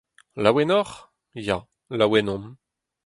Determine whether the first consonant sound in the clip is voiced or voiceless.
voiced